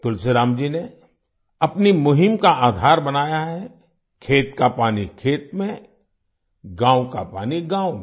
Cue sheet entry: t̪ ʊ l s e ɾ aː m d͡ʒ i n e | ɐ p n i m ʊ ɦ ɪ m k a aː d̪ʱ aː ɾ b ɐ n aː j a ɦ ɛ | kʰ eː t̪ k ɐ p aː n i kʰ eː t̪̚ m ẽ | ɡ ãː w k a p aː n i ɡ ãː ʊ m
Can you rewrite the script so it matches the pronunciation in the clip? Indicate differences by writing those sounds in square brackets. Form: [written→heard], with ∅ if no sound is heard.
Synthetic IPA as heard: t̪ ʊ l s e ɾ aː m d͡ʒ i n e | ɐ p n i m ʊ ɦ ɪ m k a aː d̪ʱ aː ɾ b ɐ n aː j a ɦ ɛ | kʰ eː t̪ k [ɐ→a] p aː n i kʰ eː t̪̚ m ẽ | ɡ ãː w k a p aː n i ɡ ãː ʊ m